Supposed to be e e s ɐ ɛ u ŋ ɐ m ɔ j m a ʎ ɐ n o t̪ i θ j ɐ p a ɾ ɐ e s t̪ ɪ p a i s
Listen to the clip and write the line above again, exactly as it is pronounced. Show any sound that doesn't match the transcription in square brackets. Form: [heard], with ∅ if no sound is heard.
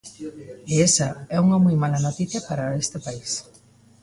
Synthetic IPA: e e s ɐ ɛ u ŋ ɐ m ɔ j m a [l] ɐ n o t̪ i θ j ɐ p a ɾ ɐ e s t̪ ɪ p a i s